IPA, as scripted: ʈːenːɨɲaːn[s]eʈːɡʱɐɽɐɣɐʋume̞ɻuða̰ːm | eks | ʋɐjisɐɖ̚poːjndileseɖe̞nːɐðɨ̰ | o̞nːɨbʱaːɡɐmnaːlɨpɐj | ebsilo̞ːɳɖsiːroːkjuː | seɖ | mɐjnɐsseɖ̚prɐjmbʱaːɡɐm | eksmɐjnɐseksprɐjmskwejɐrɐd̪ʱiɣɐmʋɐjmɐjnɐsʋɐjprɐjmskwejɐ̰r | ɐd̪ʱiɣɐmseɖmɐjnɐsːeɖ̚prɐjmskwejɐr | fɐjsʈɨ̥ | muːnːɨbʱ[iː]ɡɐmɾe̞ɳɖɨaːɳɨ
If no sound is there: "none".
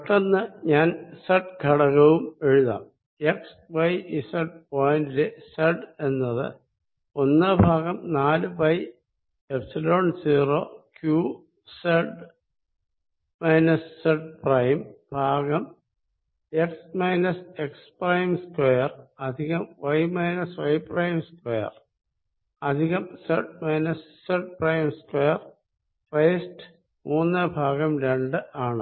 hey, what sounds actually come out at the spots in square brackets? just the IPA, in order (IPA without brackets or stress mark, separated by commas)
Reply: s, aː